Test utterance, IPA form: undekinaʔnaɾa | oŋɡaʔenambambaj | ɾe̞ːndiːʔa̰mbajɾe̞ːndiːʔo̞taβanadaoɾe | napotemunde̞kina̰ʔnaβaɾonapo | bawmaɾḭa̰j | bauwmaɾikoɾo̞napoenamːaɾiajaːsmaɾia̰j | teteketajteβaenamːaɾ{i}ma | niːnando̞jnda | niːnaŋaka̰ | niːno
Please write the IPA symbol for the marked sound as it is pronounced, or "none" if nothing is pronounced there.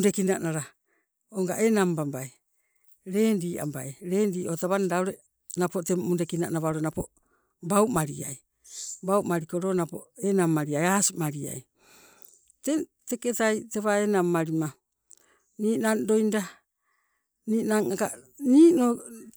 i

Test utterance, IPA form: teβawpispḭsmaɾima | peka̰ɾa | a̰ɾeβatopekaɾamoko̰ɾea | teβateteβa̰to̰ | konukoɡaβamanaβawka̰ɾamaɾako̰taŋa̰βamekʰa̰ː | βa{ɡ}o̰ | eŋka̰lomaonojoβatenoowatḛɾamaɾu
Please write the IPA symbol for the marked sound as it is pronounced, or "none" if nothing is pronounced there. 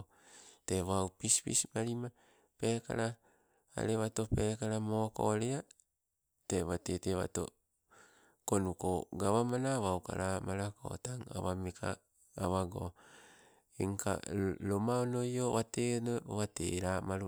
ɡ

